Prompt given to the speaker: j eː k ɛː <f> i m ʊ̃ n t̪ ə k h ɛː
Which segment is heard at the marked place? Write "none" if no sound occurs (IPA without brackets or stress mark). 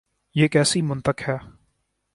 s